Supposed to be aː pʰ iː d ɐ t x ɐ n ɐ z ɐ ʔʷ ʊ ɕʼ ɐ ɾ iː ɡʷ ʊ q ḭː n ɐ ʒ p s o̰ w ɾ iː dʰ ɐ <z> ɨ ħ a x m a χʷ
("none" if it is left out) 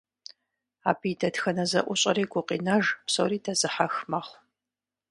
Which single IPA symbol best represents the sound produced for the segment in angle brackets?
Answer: z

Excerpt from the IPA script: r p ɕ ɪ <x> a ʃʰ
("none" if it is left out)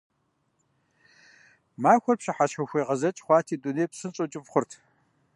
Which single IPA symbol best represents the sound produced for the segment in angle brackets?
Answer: ħ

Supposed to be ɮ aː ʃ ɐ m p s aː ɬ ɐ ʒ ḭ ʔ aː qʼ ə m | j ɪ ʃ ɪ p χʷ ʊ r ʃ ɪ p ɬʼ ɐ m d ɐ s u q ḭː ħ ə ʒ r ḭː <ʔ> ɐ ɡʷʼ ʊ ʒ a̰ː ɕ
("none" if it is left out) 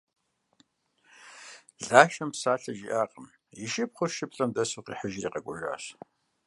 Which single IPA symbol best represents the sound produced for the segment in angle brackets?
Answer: q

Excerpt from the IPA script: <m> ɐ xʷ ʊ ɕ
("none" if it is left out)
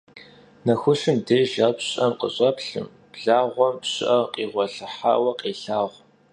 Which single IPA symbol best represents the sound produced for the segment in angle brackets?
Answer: n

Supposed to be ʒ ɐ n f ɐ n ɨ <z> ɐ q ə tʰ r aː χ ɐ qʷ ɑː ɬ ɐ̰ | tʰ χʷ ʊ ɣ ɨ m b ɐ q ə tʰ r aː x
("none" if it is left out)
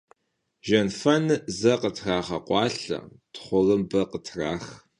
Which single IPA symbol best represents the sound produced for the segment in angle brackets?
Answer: z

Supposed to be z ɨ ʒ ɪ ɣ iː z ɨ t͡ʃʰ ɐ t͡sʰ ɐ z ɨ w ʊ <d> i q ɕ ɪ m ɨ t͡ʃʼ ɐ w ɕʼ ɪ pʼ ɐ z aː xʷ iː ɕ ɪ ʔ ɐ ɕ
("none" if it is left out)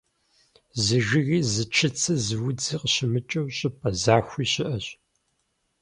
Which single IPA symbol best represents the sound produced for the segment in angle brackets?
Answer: d͡z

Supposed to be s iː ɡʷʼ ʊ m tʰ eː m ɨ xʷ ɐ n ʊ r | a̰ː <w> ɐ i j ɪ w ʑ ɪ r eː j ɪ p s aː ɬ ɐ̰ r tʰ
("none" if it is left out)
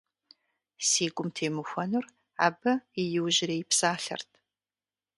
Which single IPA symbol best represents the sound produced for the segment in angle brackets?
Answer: b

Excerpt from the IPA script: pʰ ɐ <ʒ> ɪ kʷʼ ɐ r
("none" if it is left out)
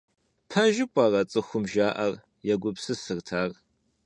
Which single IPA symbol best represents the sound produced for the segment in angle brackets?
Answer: ʒ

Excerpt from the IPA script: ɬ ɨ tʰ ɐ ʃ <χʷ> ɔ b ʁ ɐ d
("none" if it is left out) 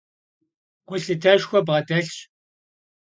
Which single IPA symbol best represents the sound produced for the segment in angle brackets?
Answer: xʷ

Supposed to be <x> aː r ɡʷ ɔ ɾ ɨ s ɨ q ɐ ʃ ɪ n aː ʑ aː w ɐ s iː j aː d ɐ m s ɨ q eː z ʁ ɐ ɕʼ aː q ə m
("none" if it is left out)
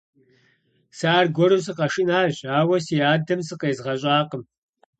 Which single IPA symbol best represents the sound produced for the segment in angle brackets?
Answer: s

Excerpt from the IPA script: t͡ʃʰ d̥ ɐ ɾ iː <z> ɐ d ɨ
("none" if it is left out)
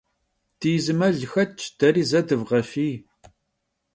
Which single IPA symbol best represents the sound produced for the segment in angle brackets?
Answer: z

